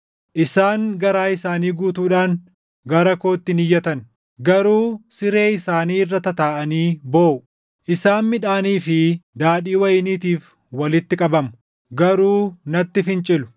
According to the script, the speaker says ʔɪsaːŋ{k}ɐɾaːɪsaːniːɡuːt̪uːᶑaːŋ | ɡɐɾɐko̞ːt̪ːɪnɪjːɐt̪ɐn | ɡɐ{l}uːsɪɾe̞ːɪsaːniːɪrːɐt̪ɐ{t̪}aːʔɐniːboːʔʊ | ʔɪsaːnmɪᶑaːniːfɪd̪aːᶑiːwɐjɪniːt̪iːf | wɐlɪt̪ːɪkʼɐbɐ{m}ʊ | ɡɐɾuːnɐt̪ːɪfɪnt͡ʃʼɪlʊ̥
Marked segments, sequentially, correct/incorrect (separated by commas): incorrect, incorrect, correct, correct